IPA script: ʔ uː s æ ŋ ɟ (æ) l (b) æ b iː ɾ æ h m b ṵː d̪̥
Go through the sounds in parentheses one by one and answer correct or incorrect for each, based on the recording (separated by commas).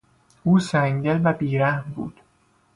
incorrect, incorrect